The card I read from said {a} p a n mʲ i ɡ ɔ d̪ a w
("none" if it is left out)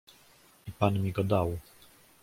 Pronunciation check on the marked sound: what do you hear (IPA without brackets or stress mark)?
i